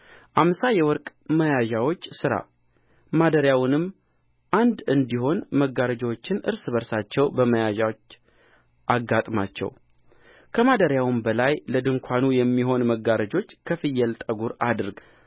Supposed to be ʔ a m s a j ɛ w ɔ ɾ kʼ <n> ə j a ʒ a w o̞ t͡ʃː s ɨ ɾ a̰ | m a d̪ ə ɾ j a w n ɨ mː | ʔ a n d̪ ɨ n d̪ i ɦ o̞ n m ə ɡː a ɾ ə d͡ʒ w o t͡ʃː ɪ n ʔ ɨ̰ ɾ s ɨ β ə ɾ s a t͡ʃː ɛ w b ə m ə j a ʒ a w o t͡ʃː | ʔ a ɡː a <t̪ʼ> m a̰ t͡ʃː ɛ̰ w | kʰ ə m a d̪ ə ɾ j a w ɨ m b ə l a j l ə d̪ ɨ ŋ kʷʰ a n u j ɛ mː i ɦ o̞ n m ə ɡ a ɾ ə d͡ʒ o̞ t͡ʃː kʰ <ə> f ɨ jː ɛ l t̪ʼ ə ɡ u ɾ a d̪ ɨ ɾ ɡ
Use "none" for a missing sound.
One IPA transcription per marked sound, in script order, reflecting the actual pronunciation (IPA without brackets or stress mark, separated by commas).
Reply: m, t̪ʼ, ə